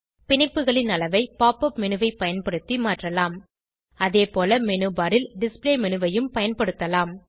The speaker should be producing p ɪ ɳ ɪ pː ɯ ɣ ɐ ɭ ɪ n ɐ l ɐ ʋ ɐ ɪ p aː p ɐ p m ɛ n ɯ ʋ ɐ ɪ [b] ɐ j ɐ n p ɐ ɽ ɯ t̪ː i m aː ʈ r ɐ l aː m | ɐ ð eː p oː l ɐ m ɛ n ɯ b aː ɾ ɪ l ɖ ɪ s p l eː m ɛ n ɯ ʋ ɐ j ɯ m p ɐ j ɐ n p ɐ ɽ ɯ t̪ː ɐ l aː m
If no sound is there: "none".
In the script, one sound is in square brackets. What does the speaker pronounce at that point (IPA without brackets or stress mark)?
p